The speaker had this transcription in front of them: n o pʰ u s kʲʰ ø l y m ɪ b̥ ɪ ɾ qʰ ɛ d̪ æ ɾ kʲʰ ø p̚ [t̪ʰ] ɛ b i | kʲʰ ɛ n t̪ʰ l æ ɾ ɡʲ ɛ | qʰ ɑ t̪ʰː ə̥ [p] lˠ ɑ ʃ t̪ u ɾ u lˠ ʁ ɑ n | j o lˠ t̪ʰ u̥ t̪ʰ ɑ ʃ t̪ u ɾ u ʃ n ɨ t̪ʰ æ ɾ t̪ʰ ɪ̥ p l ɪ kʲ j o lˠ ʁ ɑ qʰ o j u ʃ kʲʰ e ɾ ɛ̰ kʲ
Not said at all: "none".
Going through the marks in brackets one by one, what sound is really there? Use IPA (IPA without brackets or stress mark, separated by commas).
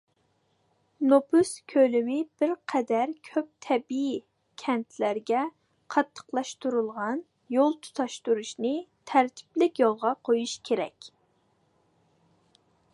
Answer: t̪ʰ, q